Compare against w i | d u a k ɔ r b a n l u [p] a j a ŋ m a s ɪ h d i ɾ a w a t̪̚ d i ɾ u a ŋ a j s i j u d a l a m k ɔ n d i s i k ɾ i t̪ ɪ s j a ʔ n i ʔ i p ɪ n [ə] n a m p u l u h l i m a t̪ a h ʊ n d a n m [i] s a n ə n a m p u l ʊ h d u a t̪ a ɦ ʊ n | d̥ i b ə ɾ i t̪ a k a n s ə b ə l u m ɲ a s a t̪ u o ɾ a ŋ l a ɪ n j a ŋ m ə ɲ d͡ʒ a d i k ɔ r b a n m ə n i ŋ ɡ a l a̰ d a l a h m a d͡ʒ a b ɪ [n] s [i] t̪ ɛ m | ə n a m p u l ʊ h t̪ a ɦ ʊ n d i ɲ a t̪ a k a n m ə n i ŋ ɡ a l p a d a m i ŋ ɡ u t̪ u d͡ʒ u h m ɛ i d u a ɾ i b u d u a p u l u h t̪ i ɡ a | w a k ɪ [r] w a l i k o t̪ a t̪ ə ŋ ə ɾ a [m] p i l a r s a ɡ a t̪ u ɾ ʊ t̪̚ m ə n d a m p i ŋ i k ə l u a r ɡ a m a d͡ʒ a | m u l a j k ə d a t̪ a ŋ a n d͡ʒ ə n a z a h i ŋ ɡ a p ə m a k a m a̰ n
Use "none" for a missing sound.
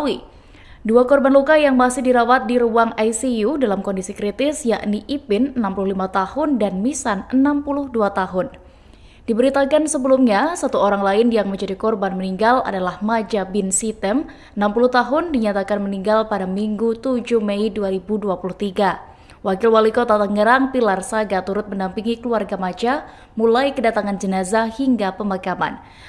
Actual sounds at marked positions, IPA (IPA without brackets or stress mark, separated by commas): k, ə, i, n, i, l, ŋ